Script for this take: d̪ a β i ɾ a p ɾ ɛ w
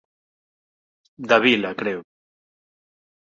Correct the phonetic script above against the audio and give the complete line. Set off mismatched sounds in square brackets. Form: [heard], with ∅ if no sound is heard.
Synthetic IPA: d̪ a β i [l] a [k] ɾ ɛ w